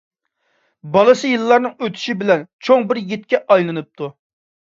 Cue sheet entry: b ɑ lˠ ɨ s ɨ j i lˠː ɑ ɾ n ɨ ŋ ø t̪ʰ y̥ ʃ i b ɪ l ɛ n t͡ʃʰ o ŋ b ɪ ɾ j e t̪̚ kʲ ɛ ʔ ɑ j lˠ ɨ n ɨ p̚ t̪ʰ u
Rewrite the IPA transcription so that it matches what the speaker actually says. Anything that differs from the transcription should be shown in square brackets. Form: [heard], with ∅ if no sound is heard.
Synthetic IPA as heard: b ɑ lˠ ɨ s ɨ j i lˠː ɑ ɾ n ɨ ŋ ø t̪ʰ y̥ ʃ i b ɪ l ɛ n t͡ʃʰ o ŋ b ɪ ɾ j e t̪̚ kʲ ɛ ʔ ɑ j lˠ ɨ n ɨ p̚ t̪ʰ u